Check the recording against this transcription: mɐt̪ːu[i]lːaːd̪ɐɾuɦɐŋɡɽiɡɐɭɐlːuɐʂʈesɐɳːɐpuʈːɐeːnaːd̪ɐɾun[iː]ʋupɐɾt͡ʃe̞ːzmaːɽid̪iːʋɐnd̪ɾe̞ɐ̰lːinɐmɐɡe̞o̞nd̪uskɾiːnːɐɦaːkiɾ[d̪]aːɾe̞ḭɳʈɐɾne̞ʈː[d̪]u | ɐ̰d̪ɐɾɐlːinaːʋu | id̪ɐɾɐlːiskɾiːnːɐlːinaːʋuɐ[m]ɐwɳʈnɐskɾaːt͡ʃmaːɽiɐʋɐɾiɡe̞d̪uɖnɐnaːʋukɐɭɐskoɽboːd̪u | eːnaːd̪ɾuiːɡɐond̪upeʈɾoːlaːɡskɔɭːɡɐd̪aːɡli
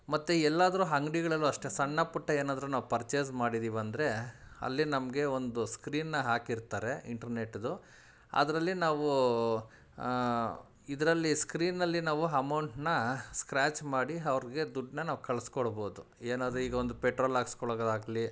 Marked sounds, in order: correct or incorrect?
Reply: incorrect: ɛ, incorrect: aː, incorrect: t̪, correct, correct

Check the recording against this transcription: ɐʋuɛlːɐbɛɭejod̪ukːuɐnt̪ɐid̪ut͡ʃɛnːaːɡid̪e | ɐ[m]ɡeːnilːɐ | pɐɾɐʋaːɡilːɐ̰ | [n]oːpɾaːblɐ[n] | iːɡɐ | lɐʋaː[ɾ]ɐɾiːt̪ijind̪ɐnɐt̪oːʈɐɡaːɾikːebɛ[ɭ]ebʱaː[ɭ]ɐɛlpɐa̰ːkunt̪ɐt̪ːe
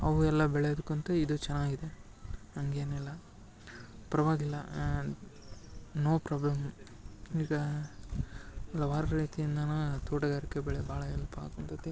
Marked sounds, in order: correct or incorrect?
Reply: incorrect: ŋ, correct, incorrect: m, correct, correct, correct

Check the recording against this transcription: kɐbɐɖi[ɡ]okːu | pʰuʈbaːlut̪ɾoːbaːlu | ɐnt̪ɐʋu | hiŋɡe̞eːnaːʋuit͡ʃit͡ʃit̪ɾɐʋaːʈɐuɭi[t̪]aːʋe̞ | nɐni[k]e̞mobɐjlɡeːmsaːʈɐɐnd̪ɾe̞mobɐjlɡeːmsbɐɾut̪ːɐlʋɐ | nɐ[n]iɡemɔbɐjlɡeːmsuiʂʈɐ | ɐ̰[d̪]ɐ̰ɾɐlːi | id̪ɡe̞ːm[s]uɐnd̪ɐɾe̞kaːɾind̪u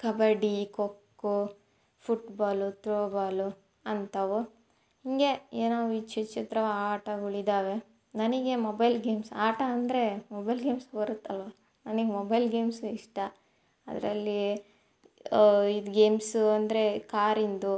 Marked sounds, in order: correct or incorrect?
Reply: incorrect: k, incorrect: d̪, incorrect: ɡ, correct, correct, correct

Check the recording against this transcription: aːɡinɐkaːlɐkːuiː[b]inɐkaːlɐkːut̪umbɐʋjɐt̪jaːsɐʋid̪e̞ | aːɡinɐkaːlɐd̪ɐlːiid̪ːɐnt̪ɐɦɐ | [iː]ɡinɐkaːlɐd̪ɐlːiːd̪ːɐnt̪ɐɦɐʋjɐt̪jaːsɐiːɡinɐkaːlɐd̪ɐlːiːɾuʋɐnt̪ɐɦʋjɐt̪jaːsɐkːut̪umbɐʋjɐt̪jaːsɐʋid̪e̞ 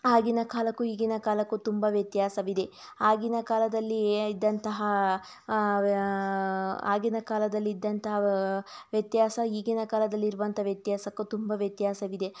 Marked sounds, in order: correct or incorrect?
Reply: incorrect: ɡ, incorrect: aː

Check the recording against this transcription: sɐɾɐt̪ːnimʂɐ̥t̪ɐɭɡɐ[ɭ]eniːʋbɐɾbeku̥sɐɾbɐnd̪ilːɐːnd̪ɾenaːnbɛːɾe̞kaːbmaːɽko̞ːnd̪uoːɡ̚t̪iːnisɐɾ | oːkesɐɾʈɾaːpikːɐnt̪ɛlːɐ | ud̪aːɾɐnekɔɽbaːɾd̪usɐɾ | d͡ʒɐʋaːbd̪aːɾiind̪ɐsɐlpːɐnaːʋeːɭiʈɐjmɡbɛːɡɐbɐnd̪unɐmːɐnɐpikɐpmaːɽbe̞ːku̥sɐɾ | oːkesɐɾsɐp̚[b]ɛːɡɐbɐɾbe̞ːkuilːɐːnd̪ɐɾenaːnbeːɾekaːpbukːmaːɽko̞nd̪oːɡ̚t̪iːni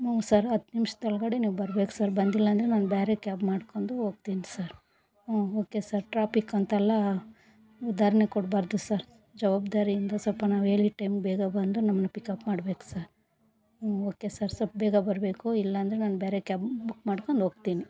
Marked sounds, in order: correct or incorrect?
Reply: incorrect: ɽ, correct

